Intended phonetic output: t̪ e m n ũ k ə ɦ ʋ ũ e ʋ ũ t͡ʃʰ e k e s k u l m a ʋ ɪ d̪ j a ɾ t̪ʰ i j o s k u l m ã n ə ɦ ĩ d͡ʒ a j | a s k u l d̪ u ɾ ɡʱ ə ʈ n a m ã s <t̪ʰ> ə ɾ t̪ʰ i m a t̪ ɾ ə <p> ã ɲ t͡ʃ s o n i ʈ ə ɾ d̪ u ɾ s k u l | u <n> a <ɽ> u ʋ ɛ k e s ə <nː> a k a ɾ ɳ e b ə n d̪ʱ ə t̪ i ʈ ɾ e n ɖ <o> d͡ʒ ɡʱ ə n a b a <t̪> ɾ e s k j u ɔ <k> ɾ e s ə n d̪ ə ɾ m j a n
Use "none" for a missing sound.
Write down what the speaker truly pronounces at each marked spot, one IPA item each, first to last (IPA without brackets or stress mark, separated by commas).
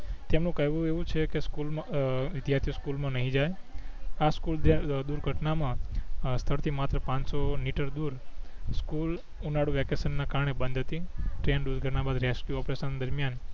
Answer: t̪ʰ, p, n, ɽ, nː, u, d̪, p